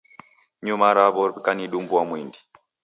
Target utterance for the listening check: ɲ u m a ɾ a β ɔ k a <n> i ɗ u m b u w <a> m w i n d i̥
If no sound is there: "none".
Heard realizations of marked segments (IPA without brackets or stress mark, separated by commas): n, a